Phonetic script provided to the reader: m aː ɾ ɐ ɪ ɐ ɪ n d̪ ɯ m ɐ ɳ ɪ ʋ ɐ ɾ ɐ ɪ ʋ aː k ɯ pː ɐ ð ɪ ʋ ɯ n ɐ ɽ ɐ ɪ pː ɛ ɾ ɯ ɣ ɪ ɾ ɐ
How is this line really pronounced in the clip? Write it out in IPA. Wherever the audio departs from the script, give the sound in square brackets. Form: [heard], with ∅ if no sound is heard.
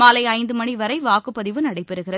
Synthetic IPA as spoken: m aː [l] ɐ ɪ ɐ ɪ n d̪ ɯ m ɐ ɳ [i] ʋ ɐ ɾ ɐ ɪ ʋ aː k ɯ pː ɐ ð ɪ ʋ ɯ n ɐ ɽ ɐ ɪ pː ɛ ɾ ɯ ɣ ɪ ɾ ɐ